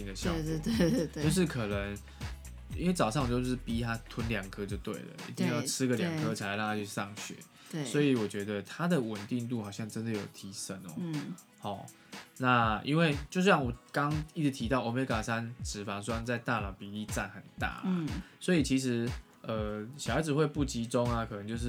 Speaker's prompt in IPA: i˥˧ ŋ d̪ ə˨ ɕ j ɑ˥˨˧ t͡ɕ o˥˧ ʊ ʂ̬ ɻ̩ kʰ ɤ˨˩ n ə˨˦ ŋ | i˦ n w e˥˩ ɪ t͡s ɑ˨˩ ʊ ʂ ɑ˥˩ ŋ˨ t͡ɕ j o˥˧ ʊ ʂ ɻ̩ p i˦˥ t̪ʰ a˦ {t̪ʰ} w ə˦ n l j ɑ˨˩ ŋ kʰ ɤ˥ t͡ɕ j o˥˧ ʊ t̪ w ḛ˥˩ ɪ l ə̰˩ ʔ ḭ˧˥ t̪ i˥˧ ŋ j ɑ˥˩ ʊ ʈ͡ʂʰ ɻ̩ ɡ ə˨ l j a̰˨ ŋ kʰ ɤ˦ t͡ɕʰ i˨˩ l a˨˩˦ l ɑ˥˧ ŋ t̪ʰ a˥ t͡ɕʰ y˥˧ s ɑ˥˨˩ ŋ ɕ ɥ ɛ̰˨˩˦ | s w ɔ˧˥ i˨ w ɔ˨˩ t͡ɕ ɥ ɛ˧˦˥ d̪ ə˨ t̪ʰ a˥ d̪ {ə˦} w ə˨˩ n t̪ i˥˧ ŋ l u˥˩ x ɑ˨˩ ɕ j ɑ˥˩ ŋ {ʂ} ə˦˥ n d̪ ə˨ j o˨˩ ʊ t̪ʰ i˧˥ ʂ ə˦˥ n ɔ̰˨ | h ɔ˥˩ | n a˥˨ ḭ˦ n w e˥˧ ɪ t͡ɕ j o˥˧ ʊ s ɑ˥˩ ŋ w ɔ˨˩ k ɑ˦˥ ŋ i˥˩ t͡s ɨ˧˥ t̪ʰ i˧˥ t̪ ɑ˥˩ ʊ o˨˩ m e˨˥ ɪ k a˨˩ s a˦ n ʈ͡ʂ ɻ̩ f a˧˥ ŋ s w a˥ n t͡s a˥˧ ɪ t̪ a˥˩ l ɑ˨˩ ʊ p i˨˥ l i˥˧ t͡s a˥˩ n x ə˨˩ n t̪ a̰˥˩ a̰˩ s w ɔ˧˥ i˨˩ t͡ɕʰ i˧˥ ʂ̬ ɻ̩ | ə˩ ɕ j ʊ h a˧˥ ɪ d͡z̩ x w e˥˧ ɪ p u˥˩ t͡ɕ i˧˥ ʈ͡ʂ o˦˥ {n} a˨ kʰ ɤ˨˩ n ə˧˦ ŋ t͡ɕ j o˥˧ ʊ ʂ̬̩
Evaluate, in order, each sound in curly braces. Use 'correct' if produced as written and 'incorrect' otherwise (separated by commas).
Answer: correct, incorrect, incorrect, incorrect